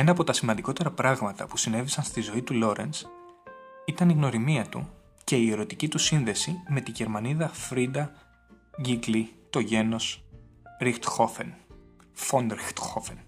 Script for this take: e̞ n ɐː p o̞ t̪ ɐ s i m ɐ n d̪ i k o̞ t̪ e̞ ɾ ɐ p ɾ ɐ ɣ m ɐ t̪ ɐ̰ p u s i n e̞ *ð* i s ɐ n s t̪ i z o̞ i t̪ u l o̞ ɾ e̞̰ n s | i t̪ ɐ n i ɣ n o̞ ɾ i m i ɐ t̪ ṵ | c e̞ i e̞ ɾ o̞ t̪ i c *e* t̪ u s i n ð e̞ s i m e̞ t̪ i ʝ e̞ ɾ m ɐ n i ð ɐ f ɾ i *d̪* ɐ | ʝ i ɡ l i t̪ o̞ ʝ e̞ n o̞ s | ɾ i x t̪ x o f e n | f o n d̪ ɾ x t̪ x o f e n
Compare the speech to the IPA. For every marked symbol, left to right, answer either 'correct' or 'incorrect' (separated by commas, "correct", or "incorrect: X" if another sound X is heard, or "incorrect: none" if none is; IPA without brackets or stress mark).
incorrect: v, incorrect: i, correct